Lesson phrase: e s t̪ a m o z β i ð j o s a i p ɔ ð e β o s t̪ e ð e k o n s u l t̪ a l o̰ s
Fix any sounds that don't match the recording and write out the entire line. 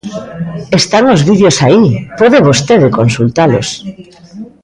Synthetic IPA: e s t̪ a ŋ o z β i ð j o s a i p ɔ ð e β o s t̪ e ð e k o n s u l t̪ a l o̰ s